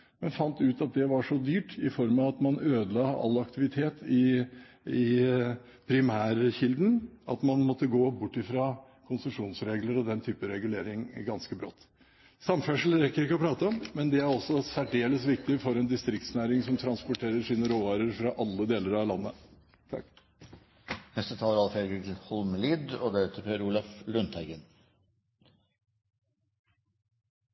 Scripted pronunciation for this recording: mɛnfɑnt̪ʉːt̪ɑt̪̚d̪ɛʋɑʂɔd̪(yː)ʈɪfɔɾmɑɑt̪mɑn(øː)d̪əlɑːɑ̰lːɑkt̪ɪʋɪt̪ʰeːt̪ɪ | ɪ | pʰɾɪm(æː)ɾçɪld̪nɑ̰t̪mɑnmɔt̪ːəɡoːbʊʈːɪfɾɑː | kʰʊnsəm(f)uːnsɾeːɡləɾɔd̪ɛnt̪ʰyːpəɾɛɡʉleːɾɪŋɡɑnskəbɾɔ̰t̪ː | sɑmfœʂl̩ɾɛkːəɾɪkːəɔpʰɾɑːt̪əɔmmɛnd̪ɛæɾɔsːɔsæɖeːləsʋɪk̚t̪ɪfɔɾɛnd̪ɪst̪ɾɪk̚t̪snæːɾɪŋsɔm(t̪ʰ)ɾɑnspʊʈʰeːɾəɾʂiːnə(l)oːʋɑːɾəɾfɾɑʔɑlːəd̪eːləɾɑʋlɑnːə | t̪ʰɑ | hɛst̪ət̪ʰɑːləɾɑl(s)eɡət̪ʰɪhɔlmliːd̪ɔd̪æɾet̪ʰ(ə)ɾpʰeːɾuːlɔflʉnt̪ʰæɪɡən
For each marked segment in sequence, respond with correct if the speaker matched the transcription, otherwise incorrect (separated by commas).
correct, correct, correct, incorrect, correct, incorrect, incorrect, correct